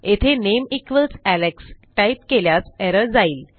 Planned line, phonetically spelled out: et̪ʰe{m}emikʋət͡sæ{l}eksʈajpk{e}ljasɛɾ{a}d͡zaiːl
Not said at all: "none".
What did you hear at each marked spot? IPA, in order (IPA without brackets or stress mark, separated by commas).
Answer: n, l, e, ə